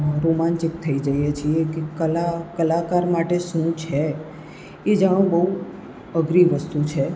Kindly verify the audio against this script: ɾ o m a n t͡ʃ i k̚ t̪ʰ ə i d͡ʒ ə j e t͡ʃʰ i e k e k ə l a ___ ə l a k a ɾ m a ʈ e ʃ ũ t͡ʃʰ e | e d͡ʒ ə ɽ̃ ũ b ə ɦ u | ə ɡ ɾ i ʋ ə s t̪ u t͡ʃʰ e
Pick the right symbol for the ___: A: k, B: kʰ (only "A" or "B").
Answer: A